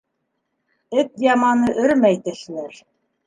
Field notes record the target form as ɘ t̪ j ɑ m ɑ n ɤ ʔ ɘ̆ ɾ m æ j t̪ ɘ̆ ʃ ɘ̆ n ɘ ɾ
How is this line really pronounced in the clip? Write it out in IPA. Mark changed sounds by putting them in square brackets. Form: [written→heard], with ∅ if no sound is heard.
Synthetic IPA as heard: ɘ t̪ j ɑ m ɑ n ɤ ʔ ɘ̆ ɾ m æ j t̪ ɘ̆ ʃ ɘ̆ n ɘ ɾ